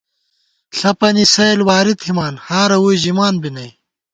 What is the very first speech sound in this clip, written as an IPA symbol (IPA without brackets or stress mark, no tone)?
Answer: ɬ